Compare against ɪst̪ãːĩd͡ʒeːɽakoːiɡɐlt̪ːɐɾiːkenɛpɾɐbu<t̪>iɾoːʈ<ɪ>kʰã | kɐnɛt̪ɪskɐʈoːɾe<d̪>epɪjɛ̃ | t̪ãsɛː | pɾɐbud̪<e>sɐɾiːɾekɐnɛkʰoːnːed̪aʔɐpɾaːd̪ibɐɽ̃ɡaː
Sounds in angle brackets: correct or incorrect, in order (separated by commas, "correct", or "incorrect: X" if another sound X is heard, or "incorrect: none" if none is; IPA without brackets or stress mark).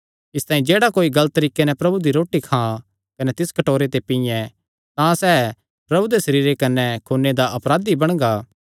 incorrect: d̪, incorrect: i, incorrect: t̪, correct